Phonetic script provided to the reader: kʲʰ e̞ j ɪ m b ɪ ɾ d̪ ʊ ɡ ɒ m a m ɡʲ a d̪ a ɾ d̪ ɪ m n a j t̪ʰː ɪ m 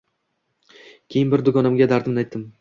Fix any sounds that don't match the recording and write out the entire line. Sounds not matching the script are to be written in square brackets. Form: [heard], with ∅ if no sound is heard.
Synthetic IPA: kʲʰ e̞ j ɪ [n] b ɪ ɾ d̪ ʊ ɡ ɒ [n] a m ɡʲ a d̪ a ɾ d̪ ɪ m n a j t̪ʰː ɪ m